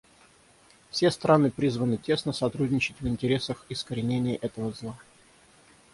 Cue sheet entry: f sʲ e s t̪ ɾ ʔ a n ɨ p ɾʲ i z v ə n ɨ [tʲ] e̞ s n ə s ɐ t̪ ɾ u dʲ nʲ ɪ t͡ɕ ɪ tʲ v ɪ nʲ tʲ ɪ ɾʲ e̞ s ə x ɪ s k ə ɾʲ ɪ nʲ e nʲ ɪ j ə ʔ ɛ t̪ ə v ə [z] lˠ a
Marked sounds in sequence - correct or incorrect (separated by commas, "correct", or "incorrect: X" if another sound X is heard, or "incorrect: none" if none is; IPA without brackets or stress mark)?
correct, correct